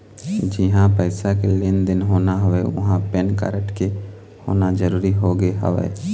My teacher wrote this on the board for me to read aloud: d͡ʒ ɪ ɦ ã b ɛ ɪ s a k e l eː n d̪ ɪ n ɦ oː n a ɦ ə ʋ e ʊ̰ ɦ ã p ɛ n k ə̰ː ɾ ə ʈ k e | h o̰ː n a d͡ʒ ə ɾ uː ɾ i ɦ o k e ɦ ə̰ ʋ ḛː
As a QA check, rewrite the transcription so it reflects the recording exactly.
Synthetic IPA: d͡ʒ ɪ ɦ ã p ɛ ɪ s a k e l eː n d̪ ɪ n ɦ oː n a ɦ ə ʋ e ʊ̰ ɦ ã p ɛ n k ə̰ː ɾ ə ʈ k e | h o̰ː n a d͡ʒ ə ɾ uː ɾ i ɦ o ɡ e ɦ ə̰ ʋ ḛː